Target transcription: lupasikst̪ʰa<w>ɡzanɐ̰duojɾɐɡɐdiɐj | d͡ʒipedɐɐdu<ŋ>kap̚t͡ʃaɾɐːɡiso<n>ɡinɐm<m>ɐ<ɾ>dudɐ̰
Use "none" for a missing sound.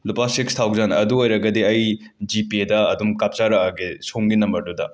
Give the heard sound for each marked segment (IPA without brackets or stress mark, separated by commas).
w, m, ŋ, b, ɾ